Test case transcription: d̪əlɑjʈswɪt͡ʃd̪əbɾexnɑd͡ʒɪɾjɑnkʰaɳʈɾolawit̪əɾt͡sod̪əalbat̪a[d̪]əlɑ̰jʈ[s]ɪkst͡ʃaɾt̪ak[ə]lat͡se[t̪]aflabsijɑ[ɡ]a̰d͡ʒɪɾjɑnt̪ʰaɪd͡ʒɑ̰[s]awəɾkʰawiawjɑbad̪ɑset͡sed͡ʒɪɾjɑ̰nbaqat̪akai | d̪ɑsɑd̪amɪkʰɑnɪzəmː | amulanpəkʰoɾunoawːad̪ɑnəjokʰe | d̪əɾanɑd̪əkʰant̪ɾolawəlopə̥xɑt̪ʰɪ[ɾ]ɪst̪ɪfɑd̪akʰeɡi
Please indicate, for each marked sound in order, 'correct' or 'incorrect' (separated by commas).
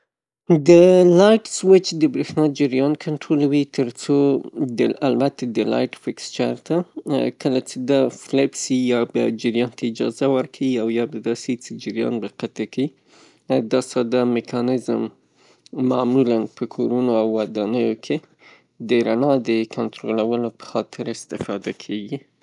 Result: correct, incorrect, correct, incorrect, incorrect, incorrect, correct